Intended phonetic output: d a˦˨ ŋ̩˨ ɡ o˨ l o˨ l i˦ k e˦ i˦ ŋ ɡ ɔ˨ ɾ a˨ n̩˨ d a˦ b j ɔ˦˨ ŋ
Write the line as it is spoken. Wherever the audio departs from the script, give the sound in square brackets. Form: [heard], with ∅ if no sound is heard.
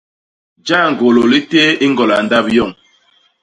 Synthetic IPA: [d͡ʒ] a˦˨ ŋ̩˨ ɡ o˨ l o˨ l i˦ [t] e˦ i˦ ŋ ɡ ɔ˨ [l] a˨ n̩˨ d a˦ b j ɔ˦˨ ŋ